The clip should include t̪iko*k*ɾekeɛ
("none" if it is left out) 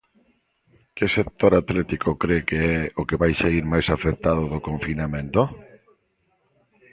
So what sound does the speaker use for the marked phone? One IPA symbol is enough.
k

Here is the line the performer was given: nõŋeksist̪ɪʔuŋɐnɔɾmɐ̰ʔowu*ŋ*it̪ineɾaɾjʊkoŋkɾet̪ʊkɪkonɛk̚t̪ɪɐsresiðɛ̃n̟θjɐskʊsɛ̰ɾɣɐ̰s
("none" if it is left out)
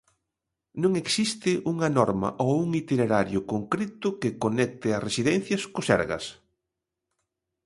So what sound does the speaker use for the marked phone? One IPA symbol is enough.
ŋ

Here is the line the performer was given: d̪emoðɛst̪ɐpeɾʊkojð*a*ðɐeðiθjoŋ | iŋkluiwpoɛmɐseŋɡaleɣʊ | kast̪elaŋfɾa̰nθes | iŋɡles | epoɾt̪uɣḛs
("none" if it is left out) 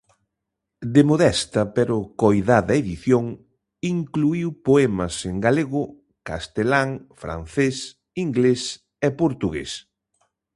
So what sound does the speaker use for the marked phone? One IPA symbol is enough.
a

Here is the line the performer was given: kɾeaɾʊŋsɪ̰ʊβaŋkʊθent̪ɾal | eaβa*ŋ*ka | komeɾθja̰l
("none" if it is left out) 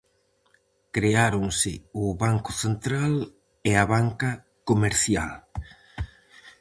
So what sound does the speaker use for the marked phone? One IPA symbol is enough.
ŋ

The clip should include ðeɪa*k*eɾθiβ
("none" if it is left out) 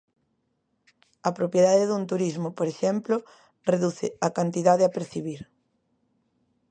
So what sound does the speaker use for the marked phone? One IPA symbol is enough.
p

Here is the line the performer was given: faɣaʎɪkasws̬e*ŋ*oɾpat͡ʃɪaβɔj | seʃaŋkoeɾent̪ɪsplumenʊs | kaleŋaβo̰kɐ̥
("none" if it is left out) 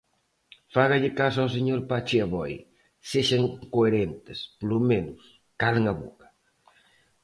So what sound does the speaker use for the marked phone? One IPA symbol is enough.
ɲ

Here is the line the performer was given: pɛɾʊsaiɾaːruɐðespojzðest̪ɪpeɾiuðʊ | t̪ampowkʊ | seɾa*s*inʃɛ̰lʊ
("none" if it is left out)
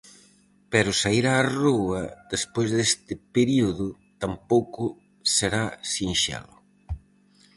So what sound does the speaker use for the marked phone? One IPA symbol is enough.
s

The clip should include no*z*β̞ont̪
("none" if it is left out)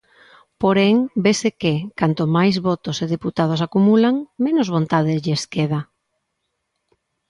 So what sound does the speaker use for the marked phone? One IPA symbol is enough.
z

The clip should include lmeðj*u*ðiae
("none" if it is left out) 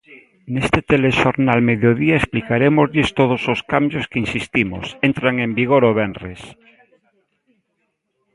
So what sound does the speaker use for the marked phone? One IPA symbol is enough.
o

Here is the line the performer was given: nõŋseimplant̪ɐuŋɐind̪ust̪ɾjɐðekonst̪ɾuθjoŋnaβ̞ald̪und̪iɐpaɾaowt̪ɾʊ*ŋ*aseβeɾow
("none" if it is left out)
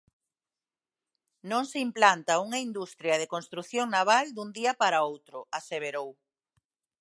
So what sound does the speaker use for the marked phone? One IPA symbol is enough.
none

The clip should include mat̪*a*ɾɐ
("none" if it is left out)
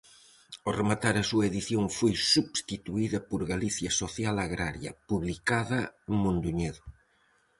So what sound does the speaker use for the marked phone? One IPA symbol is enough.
a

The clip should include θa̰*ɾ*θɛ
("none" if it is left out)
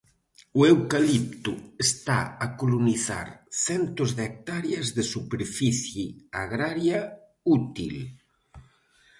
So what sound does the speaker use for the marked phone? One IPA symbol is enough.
ɾ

